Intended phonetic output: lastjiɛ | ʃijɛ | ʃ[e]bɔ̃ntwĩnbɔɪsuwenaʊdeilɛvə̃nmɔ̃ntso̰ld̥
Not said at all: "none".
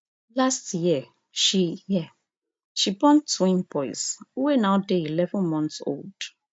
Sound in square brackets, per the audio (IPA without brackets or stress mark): i